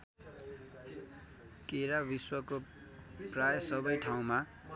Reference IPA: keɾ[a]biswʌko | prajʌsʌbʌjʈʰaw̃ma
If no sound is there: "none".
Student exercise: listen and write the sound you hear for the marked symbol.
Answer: a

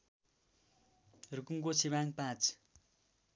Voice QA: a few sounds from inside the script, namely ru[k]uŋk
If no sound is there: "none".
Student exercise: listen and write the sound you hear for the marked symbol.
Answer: k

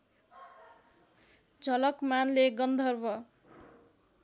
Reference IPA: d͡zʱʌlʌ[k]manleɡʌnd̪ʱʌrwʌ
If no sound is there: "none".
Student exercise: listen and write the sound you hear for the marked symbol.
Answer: k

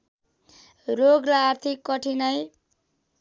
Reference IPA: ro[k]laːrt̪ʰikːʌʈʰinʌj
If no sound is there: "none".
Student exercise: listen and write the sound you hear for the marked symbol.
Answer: ɡ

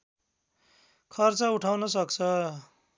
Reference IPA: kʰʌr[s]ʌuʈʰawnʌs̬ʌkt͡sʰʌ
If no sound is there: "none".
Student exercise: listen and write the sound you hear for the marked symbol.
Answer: t͡s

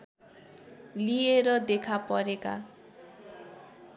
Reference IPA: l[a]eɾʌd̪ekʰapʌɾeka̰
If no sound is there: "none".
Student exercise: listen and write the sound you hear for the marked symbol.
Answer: i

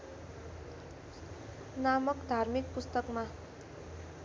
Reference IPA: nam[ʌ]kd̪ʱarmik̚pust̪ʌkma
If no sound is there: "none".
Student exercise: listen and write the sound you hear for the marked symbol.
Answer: ʌ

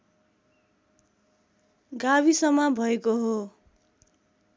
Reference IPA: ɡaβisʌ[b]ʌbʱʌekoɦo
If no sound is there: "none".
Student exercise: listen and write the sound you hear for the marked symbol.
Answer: m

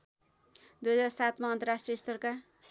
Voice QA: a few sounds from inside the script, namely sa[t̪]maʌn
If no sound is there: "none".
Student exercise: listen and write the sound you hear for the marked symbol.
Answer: t̪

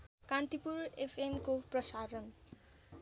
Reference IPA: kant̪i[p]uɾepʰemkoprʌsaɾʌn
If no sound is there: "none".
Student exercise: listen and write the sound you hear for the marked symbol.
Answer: p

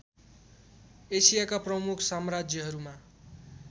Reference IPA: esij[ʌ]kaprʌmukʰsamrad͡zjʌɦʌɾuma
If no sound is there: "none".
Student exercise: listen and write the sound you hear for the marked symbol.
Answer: a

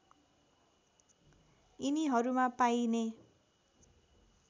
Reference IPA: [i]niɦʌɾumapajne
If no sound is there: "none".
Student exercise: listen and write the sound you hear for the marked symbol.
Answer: i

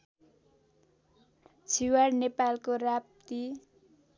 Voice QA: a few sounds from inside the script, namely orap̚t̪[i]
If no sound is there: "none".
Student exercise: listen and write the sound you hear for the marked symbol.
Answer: i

